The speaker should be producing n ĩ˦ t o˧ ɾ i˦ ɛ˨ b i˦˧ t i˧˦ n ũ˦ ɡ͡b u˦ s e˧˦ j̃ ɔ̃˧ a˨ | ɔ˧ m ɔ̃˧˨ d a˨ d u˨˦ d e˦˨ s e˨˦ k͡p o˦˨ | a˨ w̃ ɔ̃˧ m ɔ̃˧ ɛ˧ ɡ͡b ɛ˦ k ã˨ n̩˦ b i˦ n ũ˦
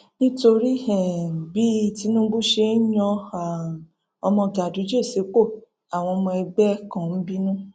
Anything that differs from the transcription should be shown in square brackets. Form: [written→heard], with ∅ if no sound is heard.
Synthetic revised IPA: n ĩ˦ t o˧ ɾ i˦ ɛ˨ b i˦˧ t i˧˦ n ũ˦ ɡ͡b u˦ [s→ʃ] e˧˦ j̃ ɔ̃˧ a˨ | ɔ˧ m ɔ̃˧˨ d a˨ d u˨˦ [d→d͡ʒ] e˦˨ s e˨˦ k͡p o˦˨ | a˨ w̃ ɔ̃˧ m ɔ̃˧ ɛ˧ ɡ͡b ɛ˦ k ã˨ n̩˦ b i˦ n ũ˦